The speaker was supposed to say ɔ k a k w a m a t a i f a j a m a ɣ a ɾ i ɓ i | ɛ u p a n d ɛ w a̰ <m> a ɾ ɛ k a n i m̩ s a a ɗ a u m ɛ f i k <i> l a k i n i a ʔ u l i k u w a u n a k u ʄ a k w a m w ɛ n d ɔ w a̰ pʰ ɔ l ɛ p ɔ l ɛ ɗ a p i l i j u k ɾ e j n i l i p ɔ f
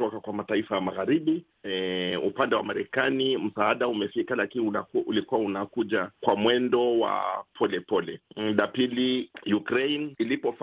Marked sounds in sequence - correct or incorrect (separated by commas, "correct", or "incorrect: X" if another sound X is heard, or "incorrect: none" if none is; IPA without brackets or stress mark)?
correct, incorrect: a